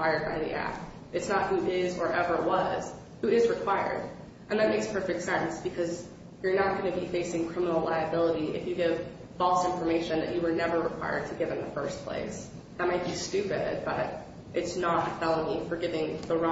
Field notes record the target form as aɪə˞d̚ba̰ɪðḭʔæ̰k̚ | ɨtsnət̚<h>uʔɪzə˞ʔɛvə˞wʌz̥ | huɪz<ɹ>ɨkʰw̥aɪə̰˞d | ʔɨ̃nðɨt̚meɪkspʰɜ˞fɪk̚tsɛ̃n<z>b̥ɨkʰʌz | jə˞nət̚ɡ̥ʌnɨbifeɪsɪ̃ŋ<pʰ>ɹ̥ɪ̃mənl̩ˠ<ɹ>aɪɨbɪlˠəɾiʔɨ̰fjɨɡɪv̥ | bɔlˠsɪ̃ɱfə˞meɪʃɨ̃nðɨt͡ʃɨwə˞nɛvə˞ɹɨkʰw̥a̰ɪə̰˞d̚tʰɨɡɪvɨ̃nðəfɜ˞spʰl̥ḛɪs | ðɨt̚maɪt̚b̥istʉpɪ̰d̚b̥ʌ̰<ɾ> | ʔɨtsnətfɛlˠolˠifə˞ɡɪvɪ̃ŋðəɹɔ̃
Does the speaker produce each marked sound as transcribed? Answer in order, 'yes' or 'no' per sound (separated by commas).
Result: yes, yes, no, no, no, yes